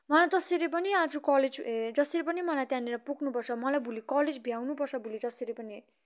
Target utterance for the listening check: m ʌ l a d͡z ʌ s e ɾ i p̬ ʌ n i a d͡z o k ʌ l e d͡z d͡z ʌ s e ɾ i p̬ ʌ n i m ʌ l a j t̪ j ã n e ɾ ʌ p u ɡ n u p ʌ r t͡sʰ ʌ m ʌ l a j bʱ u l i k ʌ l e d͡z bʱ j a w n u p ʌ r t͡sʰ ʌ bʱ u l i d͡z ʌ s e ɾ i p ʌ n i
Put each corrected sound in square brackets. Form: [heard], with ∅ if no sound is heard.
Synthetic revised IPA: m ʌ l a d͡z ʌ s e ɾ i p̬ ʌ n i a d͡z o k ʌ l e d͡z d͡z ʌ s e ɾ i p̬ ʌ n i m ʌ l a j t̪ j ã n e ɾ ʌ p u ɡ n u p ʌ r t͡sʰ ʌ m ʌ l a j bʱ u l i k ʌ l e d͡z bʱ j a w n u p ʌ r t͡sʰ ʌ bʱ u l i d͡z ʌ s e ɾ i p ʌ n i